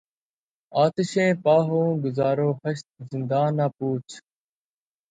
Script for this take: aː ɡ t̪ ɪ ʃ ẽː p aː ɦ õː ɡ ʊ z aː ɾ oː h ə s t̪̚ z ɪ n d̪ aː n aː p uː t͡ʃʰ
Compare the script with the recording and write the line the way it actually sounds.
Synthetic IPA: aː t̪ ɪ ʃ ẽː p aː ɦ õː ɡ ʊ z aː ɾ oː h ə ʃ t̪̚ z ɪ n d̪ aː n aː p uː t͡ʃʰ